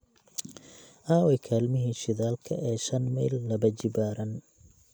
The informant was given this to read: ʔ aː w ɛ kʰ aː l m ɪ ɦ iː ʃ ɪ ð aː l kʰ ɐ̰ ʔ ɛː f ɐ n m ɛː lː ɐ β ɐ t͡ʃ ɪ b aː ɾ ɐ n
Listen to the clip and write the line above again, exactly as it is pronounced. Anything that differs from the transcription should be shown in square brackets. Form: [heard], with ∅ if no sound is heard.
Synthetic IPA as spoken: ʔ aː w ɛ kʰ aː l m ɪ ɦ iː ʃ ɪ ð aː l kʰ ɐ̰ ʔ ɛː [ʃ] ɐ n m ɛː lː ɐ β ɐ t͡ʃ ɪ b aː ɾ ɐ n